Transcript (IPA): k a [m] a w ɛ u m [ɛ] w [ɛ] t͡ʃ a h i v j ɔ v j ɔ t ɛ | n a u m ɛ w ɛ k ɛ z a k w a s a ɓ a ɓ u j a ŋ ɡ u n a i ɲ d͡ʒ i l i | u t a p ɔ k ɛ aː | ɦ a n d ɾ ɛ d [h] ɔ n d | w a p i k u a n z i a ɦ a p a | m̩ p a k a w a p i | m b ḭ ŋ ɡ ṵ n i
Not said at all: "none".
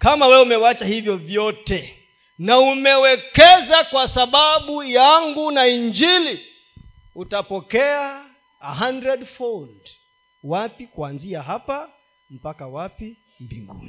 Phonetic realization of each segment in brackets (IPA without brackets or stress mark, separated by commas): m, ɛ, a, f